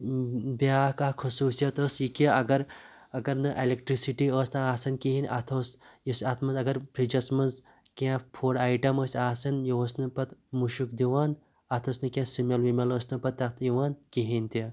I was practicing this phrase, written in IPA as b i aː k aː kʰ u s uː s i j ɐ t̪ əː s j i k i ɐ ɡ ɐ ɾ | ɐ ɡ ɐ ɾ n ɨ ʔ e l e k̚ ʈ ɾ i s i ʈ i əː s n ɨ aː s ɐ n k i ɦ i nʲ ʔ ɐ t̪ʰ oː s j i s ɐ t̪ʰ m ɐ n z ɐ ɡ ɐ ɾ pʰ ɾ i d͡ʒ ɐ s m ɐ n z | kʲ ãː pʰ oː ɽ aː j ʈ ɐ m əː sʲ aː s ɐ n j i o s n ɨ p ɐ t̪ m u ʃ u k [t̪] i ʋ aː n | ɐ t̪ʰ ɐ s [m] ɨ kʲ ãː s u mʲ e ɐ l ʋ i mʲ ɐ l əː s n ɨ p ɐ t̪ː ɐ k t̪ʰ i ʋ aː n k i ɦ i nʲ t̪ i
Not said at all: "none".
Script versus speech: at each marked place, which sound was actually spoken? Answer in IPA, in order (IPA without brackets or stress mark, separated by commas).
d̪, n